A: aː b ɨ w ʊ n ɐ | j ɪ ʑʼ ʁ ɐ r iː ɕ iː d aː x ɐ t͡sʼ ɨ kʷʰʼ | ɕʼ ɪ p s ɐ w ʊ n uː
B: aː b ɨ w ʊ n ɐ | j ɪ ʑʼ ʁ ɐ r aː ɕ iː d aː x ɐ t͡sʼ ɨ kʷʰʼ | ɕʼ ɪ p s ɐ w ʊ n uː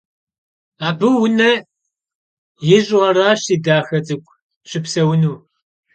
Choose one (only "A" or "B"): B